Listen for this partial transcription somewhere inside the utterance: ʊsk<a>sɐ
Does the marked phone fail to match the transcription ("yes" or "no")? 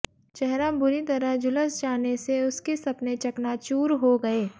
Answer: yes